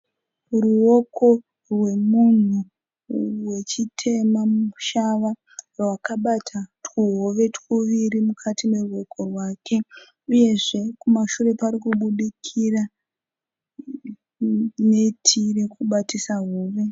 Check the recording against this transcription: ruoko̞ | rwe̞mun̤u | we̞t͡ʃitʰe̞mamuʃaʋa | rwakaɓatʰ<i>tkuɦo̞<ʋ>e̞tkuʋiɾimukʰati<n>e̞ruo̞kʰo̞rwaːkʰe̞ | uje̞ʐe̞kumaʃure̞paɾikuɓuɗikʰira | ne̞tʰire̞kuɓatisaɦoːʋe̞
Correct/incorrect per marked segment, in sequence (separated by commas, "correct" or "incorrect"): incorrect, correct, incorrect